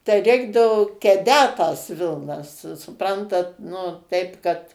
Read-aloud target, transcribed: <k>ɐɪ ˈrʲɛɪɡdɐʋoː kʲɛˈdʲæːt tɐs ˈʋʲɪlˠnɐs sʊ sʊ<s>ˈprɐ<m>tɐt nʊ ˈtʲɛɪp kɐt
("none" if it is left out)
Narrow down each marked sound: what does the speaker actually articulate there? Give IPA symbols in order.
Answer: t, none, n

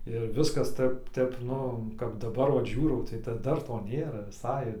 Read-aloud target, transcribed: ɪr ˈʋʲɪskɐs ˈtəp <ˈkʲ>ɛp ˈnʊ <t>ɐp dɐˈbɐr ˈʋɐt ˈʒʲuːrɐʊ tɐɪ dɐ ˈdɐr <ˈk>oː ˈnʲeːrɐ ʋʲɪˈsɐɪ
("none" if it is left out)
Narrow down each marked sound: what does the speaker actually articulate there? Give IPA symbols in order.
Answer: tʲ, k, t

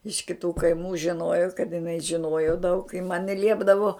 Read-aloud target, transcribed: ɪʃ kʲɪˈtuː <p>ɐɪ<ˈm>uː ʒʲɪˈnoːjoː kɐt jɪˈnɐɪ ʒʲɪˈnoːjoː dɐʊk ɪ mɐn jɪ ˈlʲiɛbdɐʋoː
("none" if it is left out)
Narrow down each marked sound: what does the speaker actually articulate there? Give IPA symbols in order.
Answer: k, m

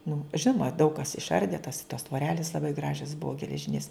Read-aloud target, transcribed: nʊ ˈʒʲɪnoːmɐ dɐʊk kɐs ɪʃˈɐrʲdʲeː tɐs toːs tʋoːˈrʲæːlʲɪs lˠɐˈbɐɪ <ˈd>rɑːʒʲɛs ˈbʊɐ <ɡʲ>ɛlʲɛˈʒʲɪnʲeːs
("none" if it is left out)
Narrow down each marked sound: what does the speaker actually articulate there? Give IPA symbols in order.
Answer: ɡ, ɡʲ

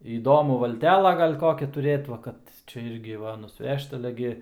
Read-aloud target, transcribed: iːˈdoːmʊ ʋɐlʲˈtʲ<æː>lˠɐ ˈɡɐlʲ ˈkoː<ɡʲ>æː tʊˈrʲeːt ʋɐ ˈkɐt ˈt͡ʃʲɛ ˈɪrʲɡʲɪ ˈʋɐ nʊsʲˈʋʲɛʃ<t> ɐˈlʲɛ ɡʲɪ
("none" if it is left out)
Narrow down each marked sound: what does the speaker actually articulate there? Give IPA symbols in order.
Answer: æː, kʲ, t

